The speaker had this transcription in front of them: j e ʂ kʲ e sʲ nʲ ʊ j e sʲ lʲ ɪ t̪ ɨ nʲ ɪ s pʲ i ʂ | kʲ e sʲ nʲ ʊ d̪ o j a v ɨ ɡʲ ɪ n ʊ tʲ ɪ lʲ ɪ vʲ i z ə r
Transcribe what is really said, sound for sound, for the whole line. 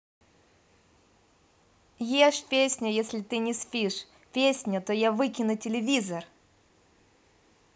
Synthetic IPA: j e ʂ pʲ e sʲ nʲ ʊ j e sʲ lʲ ɪ t̪ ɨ nʲ ɪ s pʲ i ʂ | pʲ e sʲ nʲ ʊ t̪ o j a v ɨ kʲ ɪ n ʊ tʲ ɪ lʲ ɪ vʲ i z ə r